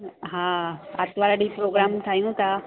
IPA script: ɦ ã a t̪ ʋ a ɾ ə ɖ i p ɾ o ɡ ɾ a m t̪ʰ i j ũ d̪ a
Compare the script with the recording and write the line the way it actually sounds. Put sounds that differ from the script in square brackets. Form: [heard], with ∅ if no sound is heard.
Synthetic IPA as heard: ɦ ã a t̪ ʋ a ɾ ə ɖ i p ɾ o ɡ ɾ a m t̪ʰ [a] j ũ [t̪] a

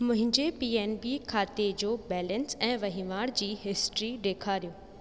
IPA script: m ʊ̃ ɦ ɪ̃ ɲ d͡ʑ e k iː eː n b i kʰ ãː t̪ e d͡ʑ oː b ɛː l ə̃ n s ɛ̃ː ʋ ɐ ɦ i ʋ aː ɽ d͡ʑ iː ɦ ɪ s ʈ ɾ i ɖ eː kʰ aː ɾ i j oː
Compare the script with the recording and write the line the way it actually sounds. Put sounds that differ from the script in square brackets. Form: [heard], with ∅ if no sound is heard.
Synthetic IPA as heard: m ʊ̃ ɦ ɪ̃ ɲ d͡ʑ e [p] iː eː n b i kʰ [aː] t̪ e d͡ʑ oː b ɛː l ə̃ n s ɛ̃ː ʋ ɐ ɦ i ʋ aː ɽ d͡ʑ iː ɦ ɪ s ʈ ɾ i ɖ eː kʰ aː ɾ i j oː

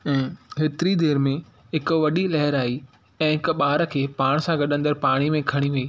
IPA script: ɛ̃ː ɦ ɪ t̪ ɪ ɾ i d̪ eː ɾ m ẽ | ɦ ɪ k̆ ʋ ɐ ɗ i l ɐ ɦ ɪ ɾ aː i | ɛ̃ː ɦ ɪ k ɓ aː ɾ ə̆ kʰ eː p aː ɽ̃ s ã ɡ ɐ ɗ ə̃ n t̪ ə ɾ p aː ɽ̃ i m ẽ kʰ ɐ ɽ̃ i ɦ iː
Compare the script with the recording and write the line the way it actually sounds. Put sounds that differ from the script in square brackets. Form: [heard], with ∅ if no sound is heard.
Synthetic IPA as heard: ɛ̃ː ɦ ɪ t̪ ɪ ɾ i d̪ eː ɾ m ẽ | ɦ ɪ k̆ ʋ ɐ ɗ i l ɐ ɦ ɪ ɾ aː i | ɛ̃ː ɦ ɪ k ɓ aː ɾ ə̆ kʰ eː p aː ɽ̃ s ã ɡ ɐ ɗ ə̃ n [d̪] ə ɾ p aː ɽ̃ i m ẽ kʰ ɐ ɽ̃ i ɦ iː

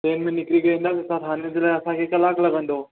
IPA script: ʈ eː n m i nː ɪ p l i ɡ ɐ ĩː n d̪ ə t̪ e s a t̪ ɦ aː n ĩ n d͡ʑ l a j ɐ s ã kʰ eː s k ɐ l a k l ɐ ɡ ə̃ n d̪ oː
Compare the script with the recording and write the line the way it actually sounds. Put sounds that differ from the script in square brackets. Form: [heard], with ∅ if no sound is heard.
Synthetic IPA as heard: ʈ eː n m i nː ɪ [k] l i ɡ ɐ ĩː n d̪ [a] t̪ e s a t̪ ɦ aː n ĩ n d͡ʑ l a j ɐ s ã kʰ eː [∅] k ɐ l a k l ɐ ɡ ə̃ n d̪ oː

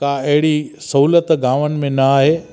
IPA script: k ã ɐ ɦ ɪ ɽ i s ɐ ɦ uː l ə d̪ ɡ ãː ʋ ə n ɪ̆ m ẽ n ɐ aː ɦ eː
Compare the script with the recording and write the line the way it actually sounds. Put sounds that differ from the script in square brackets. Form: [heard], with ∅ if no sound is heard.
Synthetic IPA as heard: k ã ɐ ɦ ɪ ɽ i s ɐ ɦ uː l ə [t̪] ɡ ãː ʋ ə n ɪ̆ m ẽ n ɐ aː ɦ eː

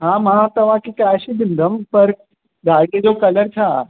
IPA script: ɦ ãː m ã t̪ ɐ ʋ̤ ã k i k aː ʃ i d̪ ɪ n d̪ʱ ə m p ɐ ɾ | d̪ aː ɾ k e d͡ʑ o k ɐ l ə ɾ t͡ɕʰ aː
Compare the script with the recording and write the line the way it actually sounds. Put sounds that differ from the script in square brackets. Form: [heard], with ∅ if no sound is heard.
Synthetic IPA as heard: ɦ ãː m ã t̪ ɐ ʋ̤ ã k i k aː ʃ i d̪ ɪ n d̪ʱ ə m p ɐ ɾ | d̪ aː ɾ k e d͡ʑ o k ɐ l ə ɾ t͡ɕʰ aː

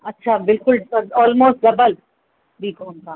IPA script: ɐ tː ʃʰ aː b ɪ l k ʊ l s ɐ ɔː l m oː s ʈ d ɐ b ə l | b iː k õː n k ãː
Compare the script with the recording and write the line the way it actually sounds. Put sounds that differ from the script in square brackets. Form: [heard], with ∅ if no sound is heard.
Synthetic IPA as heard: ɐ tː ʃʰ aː b ɪ l k ʊ l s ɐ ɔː l m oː s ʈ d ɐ b ə l | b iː k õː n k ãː

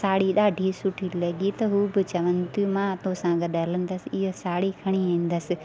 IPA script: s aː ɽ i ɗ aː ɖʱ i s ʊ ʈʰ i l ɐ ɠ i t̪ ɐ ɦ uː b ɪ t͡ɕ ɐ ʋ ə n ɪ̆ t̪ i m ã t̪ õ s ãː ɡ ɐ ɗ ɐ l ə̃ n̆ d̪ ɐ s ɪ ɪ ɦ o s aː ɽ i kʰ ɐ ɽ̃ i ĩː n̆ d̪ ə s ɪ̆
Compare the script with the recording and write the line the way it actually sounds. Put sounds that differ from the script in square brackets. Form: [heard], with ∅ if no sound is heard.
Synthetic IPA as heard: s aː ɽ i ɗ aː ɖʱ i s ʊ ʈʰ i l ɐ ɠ i t̪ ɐ ɦ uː b ɪ t͡ɕ ɐ ʋ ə n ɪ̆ t̪ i m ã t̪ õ s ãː ɡ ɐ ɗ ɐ l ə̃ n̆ d̪ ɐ s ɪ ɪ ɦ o s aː ɽ i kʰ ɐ ɽ̃ i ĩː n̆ d̪ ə s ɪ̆

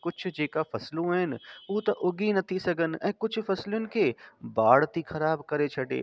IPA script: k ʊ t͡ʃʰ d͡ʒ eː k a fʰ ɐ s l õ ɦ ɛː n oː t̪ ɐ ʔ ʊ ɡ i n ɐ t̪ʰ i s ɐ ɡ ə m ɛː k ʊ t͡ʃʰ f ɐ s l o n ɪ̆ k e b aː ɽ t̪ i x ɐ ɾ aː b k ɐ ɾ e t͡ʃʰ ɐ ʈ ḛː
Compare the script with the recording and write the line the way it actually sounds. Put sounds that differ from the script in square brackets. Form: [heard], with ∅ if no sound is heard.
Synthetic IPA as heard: k ʊ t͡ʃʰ d͡ʒ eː k a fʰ ɐ s l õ ɦ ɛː n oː t̪ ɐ ʔ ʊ ɡ i n ɐ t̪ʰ i s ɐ ɡ ə [n] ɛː k ʊ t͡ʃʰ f ɐ s l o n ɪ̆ k e b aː ɽ t̪ i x ɐ ɾ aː b k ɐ ɾ e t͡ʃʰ ɐ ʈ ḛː

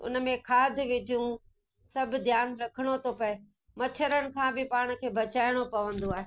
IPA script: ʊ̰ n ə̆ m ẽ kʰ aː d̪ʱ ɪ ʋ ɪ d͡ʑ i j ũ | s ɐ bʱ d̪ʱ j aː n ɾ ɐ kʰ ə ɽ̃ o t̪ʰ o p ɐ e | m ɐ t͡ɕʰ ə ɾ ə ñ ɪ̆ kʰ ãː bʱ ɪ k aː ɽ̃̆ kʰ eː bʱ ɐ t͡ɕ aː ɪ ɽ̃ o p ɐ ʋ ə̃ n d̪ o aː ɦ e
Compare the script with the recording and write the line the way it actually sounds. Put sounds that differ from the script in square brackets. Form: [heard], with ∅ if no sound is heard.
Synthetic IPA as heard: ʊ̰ n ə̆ m ẽ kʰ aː d̪ʱ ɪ ʋ ɪ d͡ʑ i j ũ | s ɐ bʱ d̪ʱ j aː n ɾ ɐ kʰ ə ɽ̃ o t̪ʰ o p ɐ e | m ɐ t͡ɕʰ ə ɾ ə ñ ɪ̆ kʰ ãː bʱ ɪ [p] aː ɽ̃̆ kʰ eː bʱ ɐ t͡ɕ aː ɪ ɽ̃ o p ɐ ʋ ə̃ n d̪ o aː ɦ e

